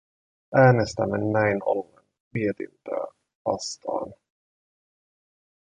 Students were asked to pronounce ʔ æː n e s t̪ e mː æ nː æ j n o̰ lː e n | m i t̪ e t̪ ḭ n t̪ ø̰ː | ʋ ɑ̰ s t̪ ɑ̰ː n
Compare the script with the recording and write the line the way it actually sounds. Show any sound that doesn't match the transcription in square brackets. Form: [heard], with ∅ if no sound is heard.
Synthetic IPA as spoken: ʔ æː n e s t̪ [æ] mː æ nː æ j n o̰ lː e n | m i [∅] e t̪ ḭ n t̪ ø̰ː | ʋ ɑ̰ s t̪ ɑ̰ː n